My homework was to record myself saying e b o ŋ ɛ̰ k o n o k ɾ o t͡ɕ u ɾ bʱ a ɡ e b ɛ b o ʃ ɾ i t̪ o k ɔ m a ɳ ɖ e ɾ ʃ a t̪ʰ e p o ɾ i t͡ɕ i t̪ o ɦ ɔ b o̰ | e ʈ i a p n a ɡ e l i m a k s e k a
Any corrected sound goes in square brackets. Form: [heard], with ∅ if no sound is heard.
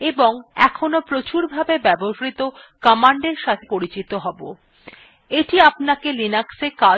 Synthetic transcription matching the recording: e b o ŋ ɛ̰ [kʰ] o n o [p] ɾ o t͡ɕ u ɾ bʱ a [b] e b ɛ b o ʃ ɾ i t̪ o k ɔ m a ɳ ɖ e ɾ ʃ a t̪ʰ e p o ɾ i t͡ɕ i t̪ o ɦ ɔ b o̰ | e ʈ i a p n a [k] e l i [n] a k s e k a